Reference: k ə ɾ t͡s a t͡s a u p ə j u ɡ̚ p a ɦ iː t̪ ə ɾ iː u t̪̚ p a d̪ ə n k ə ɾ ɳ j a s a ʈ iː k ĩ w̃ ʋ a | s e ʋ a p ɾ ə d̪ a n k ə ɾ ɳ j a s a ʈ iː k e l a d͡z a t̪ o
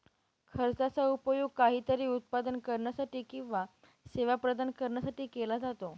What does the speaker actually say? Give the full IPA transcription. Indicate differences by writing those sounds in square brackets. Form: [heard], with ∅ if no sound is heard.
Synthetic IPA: [kʰ] ə ɾ t͡s a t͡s a u p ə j u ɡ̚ [k] a ɦ iː t̪ ə ɾ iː u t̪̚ p a d̪ ə n k ə ɾ ɳ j a s a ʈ iː k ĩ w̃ ʋ a | s e ʋ a p ɾ ə d̪ a n k ə ɾ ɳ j a s a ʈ iː k e l a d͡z a t̪ o